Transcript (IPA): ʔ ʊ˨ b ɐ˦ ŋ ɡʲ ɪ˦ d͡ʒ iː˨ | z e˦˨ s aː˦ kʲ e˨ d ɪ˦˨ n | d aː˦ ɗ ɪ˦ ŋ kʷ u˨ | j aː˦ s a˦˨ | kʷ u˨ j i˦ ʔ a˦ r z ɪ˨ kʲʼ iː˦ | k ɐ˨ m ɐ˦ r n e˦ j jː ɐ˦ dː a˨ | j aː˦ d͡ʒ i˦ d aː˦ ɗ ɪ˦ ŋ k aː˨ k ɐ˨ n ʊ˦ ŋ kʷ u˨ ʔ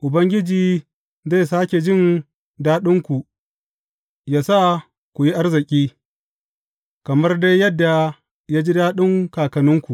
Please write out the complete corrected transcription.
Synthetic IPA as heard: ʔ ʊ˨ b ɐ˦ ŋ ɡʲ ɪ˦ d͡ʒ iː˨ | z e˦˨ s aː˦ kʲ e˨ d͡ʒ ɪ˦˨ n | d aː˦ ɗ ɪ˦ ŋ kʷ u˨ | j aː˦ s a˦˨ | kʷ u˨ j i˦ ʔ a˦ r z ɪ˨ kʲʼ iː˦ | k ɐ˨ m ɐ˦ r d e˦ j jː ɐ˦ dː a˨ | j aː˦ d͡ʒ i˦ d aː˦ ɗ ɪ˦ ŋ k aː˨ k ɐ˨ n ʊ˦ ŋ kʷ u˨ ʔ